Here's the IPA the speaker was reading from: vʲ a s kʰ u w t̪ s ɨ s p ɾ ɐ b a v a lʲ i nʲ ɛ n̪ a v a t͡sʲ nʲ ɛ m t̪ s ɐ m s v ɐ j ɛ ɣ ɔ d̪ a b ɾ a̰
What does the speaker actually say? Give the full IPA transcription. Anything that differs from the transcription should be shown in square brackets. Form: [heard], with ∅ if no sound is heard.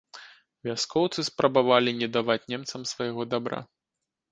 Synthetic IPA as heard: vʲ a s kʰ [ɔ] w t̪ s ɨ s p ɾ ɐ b a v a lʲ i nʲ ɛ [d̪] a v a t͡sʲ nʲ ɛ m t̪ s ɐ m s v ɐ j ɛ ɣ ɔ d̪ a b ɾ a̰